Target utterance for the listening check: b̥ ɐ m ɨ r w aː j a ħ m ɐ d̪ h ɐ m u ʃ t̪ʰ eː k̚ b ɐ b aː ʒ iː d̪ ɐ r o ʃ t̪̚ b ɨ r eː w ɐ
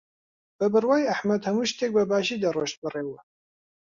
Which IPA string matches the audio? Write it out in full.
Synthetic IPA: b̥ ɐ b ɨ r w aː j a ħ m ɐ d̪ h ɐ m u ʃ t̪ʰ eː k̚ b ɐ b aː ʒ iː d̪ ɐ r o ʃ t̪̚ b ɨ r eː w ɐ